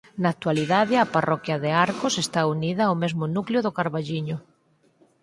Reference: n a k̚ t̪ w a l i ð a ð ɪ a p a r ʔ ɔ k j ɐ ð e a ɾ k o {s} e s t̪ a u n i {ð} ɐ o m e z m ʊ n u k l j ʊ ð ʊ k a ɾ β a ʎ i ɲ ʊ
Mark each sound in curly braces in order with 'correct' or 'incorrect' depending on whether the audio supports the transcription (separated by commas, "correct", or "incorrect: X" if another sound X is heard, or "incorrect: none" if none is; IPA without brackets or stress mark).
correct, correct